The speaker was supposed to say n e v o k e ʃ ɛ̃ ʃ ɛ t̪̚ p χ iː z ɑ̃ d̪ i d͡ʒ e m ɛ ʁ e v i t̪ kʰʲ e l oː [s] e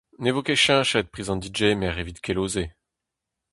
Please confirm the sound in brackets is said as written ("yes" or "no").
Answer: no